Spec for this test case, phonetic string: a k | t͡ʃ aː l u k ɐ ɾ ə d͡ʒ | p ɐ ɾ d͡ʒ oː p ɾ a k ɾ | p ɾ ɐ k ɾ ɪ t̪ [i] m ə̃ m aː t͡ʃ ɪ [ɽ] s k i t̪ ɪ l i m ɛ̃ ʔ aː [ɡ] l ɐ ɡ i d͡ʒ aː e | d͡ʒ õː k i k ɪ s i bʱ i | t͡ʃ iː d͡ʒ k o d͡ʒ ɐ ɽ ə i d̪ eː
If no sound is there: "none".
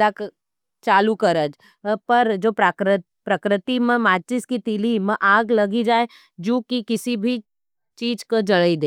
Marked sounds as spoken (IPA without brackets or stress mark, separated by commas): i, none, ɡ